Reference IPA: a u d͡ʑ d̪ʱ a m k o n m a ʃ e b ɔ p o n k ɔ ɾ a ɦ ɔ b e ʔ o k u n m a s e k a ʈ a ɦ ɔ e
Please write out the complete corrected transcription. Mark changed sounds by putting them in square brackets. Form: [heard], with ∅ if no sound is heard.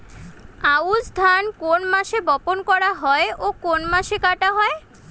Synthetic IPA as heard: a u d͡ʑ d̪ʱ a [n] k o n m a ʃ e b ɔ p o n k ɔ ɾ a ɦ ɔ [∅] e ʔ o k [o] n m a [ʃ] e k a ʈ a ɦ ɔ e

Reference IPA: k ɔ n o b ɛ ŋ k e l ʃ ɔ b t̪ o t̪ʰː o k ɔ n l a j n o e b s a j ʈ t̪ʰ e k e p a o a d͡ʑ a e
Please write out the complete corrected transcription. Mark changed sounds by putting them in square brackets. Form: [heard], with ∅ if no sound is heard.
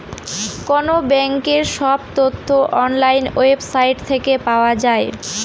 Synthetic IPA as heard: k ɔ n o b ɛ ŋ k e [ɾ] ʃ ɔ b t̪ o t̪ʰː o [ʔ] ɔ n l a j n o e b s a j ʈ t̪ʰ e k e p a o a d͡ʑ a e

